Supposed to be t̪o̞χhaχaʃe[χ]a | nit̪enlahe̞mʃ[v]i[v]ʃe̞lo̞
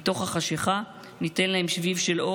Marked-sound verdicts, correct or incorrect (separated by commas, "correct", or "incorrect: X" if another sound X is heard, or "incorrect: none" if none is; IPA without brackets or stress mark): correct, correct, correct